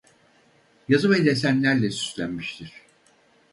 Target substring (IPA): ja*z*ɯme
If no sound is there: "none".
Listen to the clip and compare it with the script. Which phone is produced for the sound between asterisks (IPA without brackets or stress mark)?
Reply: z